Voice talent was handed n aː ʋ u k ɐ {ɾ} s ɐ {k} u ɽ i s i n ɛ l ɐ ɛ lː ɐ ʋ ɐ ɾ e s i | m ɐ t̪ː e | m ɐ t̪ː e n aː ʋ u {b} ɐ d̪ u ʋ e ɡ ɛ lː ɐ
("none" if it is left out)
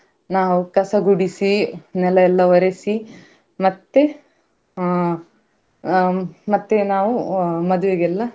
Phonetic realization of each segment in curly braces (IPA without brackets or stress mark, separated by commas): none, ɡ, m